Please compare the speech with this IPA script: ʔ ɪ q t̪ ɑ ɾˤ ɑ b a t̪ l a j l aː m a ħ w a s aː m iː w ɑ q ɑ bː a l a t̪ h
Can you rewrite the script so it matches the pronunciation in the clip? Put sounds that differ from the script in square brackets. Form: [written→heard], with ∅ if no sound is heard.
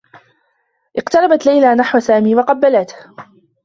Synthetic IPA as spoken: ʔ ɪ q t̪ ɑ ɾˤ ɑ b a t̪ l a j l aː [m→n] a ħ w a s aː m iː w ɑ q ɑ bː a l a t̪ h